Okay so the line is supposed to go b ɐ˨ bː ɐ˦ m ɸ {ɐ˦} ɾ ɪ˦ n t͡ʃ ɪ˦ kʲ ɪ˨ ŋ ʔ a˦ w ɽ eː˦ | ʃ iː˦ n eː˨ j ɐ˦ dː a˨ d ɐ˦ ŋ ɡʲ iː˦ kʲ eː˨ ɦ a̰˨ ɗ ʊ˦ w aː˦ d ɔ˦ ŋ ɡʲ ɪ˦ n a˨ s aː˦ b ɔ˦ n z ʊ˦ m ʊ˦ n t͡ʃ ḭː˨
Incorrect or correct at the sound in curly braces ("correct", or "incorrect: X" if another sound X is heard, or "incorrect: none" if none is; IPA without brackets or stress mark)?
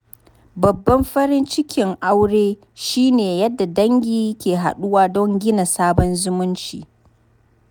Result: correct